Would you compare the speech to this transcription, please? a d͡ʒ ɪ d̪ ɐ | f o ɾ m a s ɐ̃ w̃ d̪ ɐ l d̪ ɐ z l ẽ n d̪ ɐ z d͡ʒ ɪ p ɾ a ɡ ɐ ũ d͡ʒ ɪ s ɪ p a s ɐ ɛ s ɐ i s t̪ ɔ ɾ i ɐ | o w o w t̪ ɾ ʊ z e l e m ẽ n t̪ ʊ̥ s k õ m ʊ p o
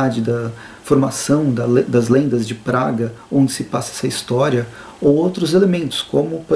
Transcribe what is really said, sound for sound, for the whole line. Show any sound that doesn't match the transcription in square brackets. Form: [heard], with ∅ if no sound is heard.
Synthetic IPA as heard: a d͡ʒ ɪ d̪ ɐ | f o ɾ m a s ɐ̃ w̃ d̪ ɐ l d̪ ɐ z l ẽ n d̪ ɐ z d͡ʒ ɪ p ɾ a ɡ ɐ [õ] d͡ʒ ɪ s ɪ p a s ɐ ɛ s ɐ i s t̪ ɔ ɾ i ɐ | o w o w t̪ ɾ ʊ z e l e m ẽ n t̪ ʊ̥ s k õ m ʊ p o